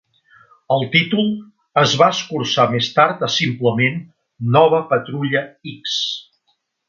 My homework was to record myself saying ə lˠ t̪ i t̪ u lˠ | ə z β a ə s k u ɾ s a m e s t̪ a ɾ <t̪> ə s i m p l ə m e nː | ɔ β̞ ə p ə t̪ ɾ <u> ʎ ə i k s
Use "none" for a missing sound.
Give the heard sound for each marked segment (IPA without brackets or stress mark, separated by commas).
t̪, u